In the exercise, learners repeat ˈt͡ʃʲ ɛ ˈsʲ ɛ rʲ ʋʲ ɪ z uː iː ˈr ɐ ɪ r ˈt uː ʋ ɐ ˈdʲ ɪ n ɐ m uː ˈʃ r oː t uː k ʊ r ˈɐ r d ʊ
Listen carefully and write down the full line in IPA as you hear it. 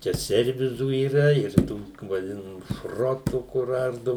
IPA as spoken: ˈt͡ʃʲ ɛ ˈsʲ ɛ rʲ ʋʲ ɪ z uː iː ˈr ɐ ɪ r ˈt uː ʋ ɐ ˈdʲ ɪ n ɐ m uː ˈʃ r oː t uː k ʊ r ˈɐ r d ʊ